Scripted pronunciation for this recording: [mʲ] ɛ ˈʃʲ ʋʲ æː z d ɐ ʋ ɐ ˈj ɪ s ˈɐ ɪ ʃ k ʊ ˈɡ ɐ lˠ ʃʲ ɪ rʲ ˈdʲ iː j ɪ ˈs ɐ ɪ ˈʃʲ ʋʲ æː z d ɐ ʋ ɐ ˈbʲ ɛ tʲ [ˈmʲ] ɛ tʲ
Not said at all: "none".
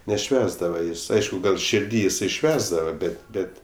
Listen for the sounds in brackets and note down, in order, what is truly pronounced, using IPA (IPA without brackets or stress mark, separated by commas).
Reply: nʲ, bʲ